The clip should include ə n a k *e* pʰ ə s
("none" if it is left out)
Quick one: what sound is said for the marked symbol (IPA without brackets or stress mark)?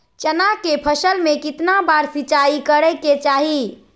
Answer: e